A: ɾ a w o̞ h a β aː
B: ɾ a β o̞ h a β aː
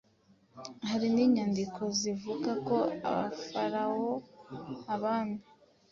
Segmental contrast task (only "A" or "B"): A